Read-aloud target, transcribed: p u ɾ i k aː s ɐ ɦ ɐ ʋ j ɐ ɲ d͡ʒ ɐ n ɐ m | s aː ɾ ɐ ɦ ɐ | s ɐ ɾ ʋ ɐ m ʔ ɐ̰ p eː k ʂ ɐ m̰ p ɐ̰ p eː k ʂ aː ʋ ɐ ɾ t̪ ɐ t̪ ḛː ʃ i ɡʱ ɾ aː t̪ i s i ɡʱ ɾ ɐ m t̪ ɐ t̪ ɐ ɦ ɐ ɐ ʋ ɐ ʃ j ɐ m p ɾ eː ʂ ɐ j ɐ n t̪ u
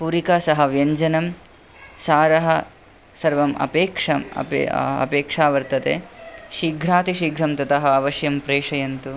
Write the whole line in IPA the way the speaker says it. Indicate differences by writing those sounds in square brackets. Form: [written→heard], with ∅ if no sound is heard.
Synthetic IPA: p u ɾ i k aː s ɐ ɦ ɐ ʋ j ɐ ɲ d͡ʒ ɐ n ɐ m | s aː ɾ ɐ ɦ ɐ | s ɐ ɾ ʋ ɐ m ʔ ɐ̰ p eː k ʂ ɐ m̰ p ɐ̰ p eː k ʂ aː ʋ ɐ ɾ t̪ ɐ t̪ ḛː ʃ i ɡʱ ɾ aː t̪ i [s→ʃ] i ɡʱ ɾ ɐ m t̪ ɐ t̪ ɐ ɦ ɐ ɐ ʋ ɐ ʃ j ɐ m p ɾ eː ʂ ɐ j ɐ n t̪ u